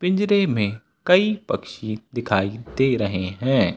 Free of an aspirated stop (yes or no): no